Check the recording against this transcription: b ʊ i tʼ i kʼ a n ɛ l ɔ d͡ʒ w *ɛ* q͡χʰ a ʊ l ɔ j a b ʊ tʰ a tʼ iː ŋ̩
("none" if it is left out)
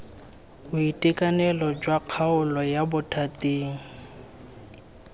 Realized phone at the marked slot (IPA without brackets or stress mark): a